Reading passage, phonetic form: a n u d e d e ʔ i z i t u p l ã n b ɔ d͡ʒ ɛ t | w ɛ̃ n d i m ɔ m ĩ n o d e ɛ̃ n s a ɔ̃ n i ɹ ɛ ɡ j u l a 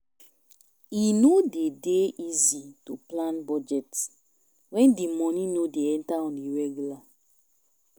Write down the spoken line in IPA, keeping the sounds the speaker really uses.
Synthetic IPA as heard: i n o d e d e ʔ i z i t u p l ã n b ɔ d͡ʒ ɛ t | w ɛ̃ n d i m ɔ n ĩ n o d e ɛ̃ n t a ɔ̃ n i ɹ ɛ ɡ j u l a